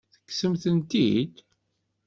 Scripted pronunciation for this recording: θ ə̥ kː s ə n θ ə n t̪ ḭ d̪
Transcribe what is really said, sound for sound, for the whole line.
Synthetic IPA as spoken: θ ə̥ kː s ə m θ ə n t̪ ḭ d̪